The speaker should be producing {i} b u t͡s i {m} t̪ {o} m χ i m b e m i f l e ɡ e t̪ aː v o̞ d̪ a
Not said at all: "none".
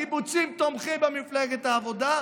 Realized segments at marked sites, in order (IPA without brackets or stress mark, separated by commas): i, m, o